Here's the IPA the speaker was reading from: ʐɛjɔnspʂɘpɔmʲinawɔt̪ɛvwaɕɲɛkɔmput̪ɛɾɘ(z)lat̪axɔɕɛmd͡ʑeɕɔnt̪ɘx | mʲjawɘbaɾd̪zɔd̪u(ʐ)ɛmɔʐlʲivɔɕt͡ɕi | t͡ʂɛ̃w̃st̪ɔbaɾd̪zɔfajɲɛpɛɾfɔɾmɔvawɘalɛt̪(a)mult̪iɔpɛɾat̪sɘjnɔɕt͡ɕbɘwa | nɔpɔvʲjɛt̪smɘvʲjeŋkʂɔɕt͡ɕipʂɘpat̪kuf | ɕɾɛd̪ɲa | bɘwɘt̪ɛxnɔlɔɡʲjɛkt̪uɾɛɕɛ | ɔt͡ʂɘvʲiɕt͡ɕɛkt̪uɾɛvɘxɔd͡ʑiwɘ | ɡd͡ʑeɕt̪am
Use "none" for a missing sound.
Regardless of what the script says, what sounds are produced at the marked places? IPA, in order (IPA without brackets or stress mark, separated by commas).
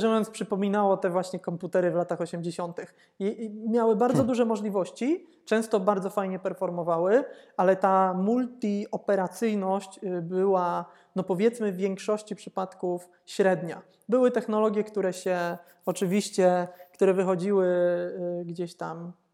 v, ʐ, a